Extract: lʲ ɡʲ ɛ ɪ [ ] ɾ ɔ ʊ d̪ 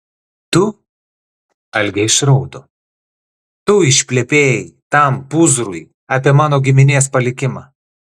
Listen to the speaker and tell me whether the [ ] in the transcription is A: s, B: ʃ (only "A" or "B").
B